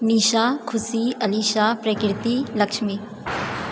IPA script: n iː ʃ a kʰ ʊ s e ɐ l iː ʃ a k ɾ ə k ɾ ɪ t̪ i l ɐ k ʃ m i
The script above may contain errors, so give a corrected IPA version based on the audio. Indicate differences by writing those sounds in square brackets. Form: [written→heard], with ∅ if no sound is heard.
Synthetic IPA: n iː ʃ a kʰ ʊ s [e→i] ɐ l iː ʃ a [k→p] ɾ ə k ɾ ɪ t̪ i l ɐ k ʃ m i